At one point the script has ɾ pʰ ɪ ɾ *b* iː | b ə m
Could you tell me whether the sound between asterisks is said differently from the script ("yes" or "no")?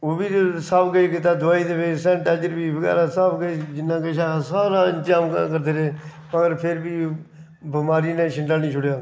no